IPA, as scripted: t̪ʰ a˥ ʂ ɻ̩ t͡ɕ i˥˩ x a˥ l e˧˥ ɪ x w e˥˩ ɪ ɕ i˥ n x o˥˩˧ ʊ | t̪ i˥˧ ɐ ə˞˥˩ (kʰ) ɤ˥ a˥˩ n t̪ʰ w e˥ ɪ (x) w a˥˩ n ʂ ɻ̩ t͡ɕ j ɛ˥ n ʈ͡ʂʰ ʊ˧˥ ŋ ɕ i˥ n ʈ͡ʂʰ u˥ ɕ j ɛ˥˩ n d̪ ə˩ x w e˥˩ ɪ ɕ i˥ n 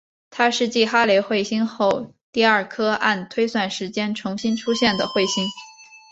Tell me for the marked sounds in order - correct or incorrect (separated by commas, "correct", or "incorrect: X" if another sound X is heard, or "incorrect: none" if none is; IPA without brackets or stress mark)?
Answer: correct, incorrect: s